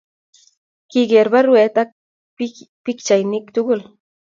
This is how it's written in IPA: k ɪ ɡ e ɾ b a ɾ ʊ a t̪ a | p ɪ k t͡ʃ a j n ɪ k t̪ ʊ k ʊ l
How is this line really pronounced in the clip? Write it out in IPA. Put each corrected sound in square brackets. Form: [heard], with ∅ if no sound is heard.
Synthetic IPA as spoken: k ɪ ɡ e ɾ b a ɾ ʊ [e] t̪ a | p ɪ k t͡ʃ a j n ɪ k t̪ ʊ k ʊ l